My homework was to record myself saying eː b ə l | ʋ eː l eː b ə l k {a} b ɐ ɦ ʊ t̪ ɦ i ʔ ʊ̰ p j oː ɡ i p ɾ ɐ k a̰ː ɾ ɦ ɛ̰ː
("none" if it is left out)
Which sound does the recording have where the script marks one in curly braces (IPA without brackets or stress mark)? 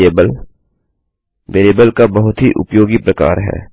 a